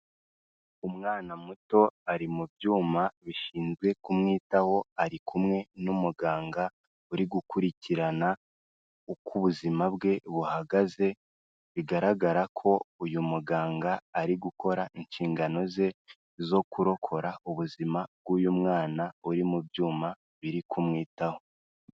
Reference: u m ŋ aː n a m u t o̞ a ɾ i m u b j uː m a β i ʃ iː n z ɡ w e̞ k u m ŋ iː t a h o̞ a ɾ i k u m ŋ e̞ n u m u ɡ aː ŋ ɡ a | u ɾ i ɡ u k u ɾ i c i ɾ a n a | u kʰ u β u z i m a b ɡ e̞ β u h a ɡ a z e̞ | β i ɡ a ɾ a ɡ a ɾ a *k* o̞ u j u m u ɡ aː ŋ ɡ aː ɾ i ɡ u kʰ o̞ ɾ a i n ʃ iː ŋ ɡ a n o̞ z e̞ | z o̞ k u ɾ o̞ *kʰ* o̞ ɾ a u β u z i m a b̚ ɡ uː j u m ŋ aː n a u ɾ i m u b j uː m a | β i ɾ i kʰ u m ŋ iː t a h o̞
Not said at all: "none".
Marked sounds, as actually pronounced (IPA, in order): kʰ, kʰ

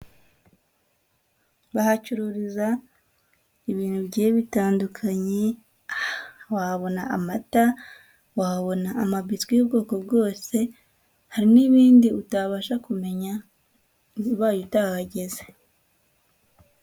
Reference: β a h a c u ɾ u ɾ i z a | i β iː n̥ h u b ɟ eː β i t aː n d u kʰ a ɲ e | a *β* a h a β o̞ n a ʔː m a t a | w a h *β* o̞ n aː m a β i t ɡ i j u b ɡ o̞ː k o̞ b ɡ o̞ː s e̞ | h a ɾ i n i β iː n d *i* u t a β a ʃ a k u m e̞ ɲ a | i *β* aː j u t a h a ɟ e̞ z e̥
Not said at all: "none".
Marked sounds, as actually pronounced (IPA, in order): w, β, i, β

